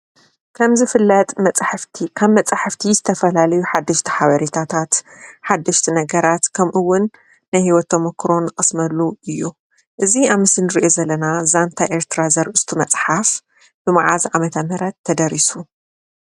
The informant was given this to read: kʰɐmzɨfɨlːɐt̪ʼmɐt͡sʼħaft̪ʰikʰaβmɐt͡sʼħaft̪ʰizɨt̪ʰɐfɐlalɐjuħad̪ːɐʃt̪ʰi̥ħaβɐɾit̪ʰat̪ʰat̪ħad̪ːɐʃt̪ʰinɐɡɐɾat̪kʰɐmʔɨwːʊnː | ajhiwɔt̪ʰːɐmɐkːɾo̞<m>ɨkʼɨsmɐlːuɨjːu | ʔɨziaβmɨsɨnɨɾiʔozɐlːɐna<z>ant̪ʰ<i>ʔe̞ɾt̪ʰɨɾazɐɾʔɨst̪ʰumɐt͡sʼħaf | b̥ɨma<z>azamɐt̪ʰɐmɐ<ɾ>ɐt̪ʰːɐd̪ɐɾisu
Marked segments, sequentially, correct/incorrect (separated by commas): incorrect, correct, incorrect, incorrect, correct